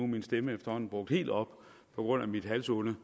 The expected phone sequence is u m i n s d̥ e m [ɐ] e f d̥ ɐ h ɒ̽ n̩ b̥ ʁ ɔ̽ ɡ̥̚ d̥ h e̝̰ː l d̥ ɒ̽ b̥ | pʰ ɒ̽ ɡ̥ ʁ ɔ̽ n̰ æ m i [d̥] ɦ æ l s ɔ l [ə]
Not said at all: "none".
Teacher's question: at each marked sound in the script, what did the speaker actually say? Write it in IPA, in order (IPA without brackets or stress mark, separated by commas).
ə, d̥, ə